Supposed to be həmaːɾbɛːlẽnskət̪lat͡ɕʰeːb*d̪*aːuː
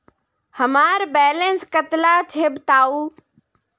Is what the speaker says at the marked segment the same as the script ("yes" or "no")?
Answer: no